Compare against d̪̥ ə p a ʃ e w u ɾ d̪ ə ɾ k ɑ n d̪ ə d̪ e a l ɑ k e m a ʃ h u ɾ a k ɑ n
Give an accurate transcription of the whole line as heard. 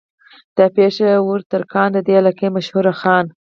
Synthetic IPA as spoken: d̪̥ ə p e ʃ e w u ɾ t̪ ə ɾ k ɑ n d̪ ə d̪ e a l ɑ k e m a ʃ h u ɾ a x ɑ n